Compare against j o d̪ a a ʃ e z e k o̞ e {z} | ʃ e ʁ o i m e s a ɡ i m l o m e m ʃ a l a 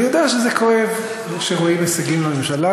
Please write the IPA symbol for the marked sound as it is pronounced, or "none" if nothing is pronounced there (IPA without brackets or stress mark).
v